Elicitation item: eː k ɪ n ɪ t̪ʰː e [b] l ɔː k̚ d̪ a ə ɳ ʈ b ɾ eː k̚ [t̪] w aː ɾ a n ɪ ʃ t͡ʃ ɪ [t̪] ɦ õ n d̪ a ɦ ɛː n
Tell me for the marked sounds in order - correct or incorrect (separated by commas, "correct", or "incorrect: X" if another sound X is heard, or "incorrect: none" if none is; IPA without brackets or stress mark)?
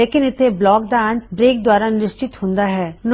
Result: correct, incorrect: d̪, correct